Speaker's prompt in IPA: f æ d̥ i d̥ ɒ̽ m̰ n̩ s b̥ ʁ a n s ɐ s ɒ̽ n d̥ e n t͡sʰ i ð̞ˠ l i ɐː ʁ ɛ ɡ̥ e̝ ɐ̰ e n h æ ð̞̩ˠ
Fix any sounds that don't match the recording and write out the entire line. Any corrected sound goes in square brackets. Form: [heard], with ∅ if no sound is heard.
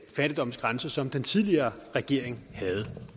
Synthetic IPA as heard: f æ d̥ i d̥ ɒ̽ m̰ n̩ s [ɡ̥] ʁ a n s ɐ s ɒ̽ [m] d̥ e n t͡sʰ i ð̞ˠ l i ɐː ʁ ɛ ɡ̥ e̝ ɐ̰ e [ŋ] h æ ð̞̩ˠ